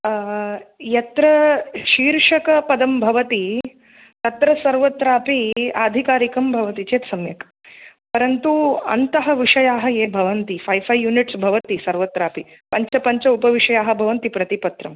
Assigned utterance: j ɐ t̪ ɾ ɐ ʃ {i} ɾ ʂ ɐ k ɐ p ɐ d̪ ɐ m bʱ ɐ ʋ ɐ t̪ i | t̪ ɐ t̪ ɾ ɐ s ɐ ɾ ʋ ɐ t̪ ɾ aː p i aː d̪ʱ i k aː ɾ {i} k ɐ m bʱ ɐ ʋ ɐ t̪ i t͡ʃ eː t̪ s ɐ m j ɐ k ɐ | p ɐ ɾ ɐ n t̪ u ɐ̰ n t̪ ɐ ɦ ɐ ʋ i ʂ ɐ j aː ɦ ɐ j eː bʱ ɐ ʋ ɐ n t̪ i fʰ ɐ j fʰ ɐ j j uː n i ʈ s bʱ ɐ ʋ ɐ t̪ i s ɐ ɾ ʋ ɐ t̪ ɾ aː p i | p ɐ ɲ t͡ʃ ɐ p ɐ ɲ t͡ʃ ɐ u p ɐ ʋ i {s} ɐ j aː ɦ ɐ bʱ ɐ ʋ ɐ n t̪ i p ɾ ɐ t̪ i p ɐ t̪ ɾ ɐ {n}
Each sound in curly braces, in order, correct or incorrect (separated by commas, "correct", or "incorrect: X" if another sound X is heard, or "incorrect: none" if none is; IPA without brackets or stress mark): incorrect: iː, correct, incorrect: ʂ, incorrect: m